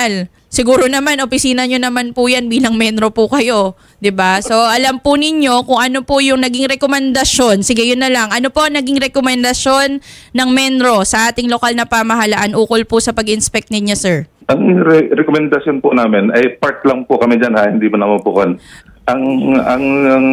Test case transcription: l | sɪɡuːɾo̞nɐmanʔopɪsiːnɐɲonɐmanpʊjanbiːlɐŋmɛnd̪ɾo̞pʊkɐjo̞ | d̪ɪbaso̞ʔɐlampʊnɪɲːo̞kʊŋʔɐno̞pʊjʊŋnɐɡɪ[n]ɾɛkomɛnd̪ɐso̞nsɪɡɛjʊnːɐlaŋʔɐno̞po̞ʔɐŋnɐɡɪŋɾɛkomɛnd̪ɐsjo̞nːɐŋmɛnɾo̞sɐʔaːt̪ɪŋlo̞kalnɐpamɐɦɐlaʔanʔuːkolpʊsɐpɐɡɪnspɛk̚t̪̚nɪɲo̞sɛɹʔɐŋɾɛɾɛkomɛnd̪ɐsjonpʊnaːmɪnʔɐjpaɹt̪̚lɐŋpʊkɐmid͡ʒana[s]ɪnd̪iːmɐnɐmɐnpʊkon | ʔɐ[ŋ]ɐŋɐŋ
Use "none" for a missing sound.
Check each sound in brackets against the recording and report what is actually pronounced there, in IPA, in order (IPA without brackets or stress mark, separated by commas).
ŋ, h, ŋ